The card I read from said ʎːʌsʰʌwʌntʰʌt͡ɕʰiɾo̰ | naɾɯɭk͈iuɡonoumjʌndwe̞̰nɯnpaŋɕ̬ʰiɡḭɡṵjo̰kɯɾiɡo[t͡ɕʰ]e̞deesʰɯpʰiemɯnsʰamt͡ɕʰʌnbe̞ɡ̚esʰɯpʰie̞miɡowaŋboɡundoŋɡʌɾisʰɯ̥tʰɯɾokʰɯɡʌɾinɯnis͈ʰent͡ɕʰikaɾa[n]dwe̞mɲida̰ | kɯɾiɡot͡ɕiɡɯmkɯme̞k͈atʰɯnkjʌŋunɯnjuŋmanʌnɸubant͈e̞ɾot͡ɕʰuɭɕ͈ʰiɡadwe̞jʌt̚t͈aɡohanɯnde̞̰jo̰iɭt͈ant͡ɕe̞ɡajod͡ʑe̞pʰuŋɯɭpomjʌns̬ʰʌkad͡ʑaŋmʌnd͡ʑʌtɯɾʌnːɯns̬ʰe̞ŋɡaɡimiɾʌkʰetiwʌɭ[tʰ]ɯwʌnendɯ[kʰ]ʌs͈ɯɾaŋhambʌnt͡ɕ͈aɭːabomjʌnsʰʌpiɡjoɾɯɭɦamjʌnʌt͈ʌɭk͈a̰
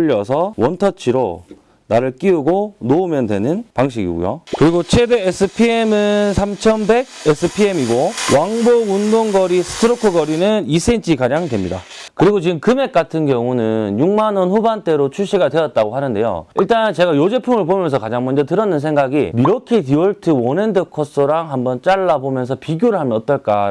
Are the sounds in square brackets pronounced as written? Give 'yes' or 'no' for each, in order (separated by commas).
yes, no, yes, yes